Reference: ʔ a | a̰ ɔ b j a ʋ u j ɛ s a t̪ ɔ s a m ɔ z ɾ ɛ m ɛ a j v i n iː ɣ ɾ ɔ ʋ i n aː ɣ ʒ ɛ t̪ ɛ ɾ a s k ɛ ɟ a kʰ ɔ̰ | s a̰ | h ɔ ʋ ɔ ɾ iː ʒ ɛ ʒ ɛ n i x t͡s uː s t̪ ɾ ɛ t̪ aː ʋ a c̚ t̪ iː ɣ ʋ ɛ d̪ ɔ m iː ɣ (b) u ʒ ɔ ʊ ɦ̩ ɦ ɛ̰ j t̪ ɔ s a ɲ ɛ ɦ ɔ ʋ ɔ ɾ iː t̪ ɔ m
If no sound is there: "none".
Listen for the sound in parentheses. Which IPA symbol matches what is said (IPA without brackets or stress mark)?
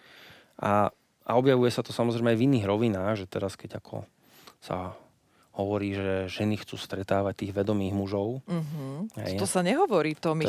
m